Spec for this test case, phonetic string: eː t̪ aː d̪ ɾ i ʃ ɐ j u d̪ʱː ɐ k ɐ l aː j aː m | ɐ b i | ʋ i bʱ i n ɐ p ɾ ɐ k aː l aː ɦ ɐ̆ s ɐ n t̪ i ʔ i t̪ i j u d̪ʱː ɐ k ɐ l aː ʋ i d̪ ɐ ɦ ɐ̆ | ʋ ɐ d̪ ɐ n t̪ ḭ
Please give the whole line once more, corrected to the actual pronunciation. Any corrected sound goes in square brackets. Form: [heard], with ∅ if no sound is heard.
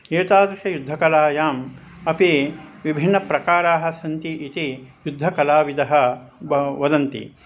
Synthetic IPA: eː t̪ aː d̪ ɾ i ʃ ɐ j u d̪ʱː ɐ k ɐ l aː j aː m | ɐ [p] i | ʋ i bʱ i [nː] ɐ p ɾ ɐ k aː [ɾ] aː ɦ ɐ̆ s ɐ n t̪ i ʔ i t̪ i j u d̪ʱː ɐ k ɐ l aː ʋ i d̪ ɐ ɦ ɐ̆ | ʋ ɐ d̪ ɐ n t̪ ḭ